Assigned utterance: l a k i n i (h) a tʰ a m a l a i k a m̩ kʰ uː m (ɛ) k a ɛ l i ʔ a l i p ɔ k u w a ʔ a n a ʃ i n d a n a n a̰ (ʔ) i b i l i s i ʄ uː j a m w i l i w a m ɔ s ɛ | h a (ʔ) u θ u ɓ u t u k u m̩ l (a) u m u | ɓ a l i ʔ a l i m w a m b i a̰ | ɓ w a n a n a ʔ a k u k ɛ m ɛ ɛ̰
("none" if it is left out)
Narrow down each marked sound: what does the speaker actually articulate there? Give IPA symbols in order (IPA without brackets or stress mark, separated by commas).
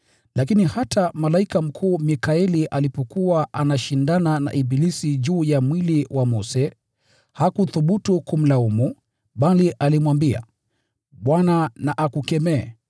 h, i, ʔ, k, a